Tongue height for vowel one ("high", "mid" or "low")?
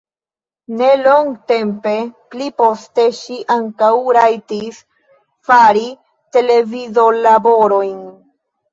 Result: mid